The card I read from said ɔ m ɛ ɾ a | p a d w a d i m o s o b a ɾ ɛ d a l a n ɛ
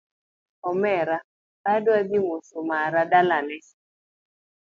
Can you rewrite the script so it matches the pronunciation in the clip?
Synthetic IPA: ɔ m ɛ ɾ a | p a d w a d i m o s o m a ɾ a d a l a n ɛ

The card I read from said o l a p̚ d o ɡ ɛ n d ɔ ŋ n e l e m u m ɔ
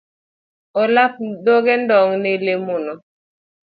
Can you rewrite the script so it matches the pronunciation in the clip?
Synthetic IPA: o l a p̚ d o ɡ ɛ n d ɔ ŋ n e l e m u n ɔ

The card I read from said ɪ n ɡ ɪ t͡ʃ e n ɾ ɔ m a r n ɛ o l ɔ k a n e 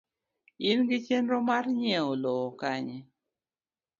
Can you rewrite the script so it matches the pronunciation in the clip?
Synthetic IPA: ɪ n ɡ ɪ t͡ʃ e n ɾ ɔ m a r ɲ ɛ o l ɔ k a ɲ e

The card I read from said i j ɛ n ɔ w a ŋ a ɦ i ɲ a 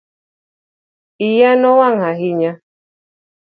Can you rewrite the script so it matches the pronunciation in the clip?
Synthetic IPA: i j a n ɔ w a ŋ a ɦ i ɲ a

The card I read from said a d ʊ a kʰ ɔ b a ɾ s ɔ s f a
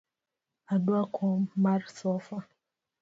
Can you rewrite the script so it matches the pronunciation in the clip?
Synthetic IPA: a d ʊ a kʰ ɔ m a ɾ s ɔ f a

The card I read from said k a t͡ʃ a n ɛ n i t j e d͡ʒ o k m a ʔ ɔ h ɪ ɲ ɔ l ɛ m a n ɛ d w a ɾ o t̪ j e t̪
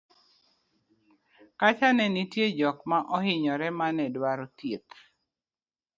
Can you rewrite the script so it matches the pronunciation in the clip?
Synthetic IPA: k a t͡ʃ a n ɛ n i t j e d͡ʒ ɔ k m a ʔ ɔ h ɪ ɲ ɔ ɾ ɛ m a n ɛ d w a ɾ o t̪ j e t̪

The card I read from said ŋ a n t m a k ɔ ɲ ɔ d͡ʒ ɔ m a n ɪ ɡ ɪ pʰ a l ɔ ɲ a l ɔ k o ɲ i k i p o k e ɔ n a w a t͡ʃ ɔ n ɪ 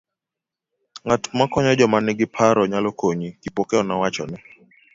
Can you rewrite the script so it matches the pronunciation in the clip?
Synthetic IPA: ŋ a t m a k ɔ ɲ ɔ d͡ʒ ɔ m a n ɪ ɡ ɪ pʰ a ɾ ɔ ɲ a l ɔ k o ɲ i k i p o k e ɔ n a w a t͡ʃ ɔ n ɪ

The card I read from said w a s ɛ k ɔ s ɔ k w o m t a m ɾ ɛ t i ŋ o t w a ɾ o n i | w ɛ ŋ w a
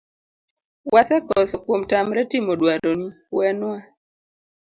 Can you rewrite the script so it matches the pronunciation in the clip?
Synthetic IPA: w a s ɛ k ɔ s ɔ k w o m t a m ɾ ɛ t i m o d w a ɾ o n i | w ɛ n w a

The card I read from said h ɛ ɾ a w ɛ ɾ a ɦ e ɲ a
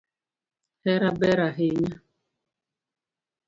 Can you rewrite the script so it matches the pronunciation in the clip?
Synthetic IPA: h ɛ ɾ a b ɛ ɾ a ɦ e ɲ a

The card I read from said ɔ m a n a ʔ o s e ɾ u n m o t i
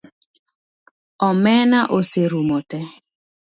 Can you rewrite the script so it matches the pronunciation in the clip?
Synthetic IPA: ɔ m ɛ n a ʔ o s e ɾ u m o t ɛ

